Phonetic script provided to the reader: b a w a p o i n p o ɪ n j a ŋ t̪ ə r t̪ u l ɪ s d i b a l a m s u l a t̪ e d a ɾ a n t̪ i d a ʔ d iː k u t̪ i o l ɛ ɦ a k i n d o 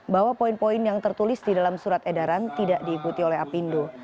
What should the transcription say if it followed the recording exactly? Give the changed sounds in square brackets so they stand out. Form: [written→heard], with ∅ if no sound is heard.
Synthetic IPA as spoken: b a w a p o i n p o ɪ n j a ŋ t̪ ə r t̪ u l ɪ s d i [b→d] a l a m s u [l→ɾ] a t̪ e d a ɾ a n t̪ i d a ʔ d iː k u t̪ i o l ɛ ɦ a [k→p] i n d o